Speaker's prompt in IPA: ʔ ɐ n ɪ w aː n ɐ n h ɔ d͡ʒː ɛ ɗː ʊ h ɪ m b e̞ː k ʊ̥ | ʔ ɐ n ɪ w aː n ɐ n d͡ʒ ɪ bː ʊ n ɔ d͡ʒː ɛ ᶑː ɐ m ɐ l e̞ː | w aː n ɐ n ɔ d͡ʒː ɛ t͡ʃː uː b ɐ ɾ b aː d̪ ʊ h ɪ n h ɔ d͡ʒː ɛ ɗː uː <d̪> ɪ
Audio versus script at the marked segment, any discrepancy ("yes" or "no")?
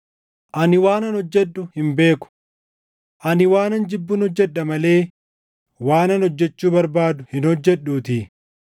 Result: yes